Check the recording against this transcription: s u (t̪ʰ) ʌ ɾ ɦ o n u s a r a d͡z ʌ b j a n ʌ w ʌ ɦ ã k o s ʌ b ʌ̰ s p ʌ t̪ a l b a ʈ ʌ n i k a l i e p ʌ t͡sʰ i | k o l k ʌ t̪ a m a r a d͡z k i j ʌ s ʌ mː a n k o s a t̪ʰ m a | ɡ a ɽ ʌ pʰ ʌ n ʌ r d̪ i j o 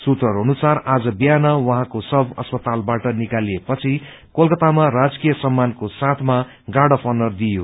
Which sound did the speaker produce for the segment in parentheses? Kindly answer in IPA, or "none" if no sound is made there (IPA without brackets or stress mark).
t̪